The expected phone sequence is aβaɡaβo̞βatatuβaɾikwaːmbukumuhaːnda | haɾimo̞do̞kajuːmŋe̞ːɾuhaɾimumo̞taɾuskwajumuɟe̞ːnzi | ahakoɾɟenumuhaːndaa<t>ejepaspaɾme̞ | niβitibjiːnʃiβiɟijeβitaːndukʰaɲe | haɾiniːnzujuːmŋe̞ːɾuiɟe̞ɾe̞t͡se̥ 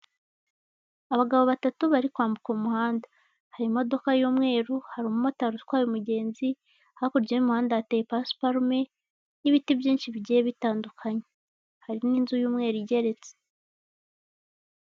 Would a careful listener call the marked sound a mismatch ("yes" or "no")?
no